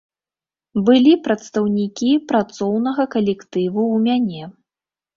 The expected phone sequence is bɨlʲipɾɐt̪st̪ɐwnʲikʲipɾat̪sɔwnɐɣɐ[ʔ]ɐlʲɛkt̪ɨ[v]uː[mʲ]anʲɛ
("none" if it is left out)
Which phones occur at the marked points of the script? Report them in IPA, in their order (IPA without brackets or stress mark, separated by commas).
k, v, mʲ